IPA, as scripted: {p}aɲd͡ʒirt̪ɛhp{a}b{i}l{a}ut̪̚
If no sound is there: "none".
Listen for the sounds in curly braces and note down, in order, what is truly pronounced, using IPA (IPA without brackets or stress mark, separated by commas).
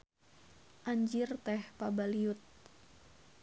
ʔ, a, a, i